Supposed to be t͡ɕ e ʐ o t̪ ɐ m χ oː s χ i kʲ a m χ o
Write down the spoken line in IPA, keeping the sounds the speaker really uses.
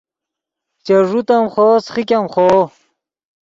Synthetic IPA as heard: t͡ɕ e ʐ u t̪ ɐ m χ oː s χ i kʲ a m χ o